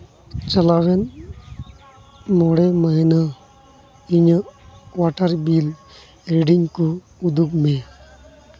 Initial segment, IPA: t͡ʃ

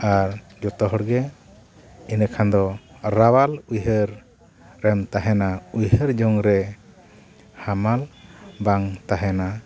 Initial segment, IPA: a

